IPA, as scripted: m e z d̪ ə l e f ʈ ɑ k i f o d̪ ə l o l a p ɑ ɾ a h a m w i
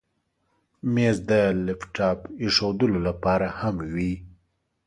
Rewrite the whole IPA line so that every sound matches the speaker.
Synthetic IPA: m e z d̪ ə l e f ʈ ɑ p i ʂ o d̪ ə l o l a p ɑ ɾ a h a m w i